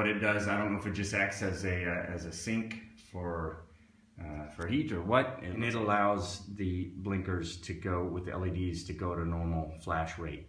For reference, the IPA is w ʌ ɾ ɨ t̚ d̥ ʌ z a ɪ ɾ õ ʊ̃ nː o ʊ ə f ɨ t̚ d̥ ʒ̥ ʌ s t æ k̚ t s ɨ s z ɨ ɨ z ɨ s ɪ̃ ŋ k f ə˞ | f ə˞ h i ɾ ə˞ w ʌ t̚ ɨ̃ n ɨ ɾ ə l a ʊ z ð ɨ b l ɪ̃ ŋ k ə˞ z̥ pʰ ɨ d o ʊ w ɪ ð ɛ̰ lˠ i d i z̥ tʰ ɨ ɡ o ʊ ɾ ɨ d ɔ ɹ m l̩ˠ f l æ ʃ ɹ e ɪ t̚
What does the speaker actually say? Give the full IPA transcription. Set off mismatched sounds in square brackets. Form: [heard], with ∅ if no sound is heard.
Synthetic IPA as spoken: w ʌ ɾ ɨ t̚ d̥ ʌ z a ɪ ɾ õ ʊ̃ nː o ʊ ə f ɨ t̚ d̥ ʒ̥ ʌ s t æ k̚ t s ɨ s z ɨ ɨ z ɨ s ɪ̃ ŋ k f ə˞ | f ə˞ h i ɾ ə˞ w ʌ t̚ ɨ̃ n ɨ ɾ ə l a ʊ z ð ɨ b l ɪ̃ ŋ k ə˞ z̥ [tʰ] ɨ [ɡ] o ʊ w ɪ ð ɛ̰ lˠ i d i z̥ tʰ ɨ ɡ o ʊ ɾ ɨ [n] ɔ ɹ m l̩ˠ f l æ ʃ ɹ e ɪ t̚